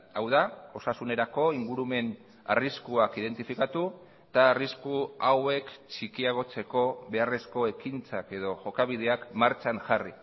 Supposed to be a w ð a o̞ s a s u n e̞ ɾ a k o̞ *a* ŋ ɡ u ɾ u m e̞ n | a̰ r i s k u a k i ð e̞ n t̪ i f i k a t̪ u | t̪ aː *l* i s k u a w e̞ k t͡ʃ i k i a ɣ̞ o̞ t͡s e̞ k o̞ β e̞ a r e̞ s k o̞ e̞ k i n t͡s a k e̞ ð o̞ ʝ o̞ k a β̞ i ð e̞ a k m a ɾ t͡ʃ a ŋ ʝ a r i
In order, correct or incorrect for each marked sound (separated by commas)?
incorrect, incorrect